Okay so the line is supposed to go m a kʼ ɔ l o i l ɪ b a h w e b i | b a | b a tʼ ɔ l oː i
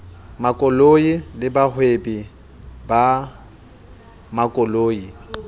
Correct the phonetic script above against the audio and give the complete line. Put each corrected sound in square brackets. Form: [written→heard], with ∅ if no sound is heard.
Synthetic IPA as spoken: m a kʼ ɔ l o i l ɪ b a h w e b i | b a | [b→m] a [tʼ→kʼ] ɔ l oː i